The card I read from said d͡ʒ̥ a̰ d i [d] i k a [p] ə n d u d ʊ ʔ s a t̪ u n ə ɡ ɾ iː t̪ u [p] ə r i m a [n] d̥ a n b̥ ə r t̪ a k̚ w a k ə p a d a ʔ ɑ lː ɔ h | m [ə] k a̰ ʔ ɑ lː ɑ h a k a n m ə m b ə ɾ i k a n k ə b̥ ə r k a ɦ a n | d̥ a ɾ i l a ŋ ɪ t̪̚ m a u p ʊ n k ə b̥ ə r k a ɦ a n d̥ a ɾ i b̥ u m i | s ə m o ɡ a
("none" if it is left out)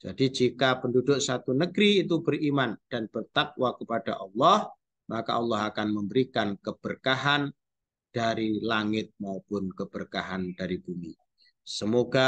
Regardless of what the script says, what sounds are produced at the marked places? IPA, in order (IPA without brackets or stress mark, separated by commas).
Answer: d͡ʒ, p, b, n, a